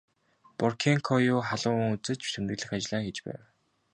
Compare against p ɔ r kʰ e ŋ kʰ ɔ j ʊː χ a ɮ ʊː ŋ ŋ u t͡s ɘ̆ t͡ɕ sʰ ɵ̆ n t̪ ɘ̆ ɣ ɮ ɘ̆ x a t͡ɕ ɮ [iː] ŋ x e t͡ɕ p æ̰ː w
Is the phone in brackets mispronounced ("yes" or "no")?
yes